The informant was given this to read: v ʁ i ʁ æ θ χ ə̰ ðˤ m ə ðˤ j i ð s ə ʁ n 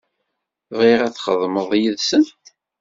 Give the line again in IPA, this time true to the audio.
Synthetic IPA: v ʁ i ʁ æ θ χ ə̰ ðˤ m ə ðˤ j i ð s ə n

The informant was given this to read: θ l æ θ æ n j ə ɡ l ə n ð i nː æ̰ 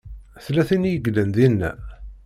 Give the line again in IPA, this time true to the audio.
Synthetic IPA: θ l æ θ i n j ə ɡ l ə n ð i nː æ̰

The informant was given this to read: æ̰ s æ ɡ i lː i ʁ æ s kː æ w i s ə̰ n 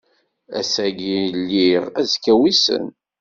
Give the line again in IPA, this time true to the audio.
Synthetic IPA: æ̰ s æ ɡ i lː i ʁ æ z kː æ w i s ə̰ n

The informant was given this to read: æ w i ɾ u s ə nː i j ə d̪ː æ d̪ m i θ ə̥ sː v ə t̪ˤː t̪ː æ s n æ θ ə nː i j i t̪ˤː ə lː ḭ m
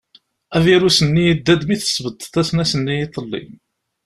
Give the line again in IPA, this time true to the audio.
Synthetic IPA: æ v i ɾ u s ə nː i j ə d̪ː æ d̪ m i θ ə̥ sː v ə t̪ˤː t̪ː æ s n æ s ə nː i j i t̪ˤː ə lː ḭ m

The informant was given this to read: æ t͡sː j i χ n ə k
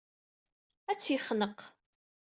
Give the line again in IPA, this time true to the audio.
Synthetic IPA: æ t͡sː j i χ n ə q

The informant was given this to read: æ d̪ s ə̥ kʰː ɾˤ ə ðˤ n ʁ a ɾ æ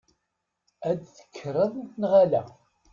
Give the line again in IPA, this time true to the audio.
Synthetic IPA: æ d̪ θ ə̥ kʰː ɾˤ ə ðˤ n ʁ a l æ

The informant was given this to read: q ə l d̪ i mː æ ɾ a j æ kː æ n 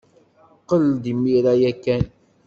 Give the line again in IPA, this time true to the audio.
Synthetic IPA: q ə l d̪ i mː i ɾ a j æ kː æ n

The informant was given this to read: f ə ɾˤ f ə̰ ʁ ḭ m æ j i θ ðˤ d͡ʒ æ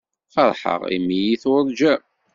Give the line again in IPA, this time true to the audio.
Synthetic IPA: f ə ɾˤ ħ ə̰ ʁ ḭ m i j i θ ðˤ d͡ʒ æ

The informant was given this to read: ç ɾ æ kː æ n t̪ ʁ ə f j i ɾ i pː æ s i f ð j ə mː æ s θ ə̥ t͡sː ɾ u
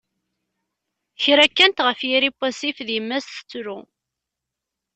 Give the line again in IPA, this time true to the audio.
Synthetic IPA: ç ɾ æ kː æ n t̪ ʁ ə f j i ɾ i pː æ s i f ð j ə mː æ s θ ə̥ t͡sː ɾ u

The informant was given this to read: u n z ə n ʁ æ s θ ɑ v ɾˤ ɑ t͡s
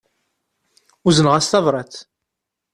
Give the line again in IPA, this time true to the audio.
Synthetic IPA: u z ə n ʁ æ s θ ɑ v ɾˤ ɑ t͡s

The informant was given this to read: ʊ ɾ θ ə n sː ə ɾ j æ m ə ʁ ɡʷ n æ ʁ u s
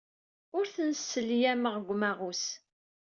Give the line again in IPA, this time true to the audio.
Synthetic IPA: ʊ ɾ θ ə n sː ə l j æ m ə ʁ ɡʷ m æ ʁ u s

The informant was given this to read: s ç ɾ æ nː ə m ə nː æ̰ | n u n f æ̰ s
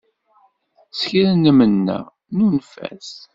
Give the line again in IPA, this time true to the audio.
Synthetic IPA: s ç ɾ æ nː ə m ə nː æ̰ | n u n f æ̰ s

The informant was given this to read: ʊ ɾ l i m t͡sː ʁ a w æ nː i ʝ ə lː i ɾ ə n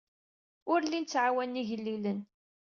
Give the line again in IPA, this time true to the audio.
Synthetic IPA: ʊ ɾ l i n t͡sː ʕ a w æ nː i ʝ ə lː i l ə n

